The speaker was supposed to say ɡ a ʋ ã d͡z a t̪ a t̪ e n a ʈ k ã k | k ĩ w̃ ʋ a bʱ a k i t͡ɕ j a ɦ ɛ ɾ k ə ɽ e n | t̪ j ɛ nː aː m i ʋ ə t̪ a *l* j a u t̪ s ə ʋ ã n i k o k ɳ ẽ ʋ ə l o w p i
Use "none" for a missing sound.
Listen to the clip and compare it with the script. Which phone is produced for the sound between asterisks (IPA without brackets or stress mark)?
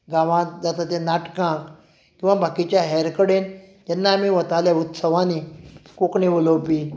l